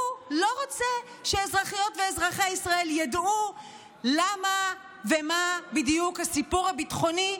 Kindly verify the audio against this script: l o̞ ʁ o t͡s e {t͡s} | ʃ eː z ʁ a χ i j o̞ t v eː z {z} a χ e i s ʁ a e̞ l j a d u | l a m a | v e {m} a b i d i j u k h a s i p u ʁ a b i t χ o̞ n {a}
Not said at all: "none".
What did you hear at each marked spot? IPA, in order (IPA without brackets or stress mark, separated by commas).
none, ʁ, m, i